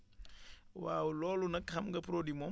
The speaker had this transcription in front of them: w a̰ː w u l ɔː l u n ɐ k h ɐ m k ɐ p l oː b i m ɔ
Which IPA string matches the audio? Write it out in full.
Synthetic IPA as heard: w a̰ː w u l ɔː l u n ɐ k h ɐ m ɡ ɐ p ɾ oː d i m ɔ